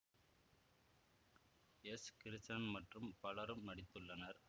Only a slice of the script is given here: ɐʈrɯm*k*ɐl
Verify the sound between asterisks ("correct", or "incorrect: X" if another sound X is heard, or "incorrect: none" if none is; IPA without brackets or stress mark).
incorrect: p